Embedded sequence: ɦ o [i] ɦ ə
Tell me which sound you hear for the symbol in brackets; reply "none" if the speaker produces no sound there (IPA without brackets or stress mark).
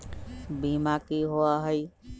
a